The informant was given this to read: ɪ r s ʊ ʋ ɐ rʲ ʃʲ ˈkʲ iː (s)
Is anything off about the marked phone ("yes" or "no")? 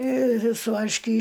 yes